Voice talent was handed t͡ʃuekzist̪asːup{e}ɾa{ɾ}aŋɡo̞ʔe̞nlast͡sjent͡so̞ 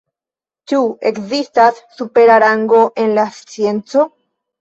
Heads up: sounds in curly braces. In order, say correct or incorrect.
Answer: correct, correct

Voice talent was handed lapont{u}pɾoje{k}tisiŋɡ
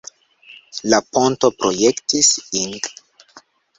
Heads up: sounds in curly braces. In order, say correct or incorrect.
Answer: incorrect, correct

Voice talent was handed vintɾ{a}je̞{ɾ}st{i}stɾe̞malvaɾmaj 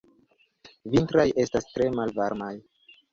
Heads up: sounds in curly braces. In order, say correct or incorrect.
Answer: correct, incorrect, incorrect

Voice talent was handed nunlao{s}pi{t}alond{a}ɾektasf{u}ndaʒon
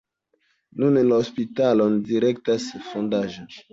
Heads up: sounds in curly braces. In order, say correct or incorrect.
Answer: correct, correct, incorrect, incorrect

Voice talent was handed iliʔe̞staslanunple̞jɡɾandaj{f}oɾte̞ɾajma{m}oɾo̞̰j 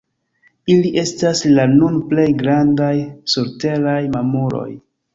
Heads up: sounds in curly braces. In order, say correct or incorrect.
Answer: incorrect, correct

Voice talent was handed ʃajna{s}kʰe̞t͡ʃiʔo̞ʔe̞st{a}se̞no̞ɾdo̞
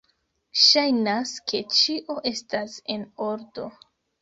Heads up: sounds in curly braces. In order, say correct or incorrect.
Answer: correct, correct

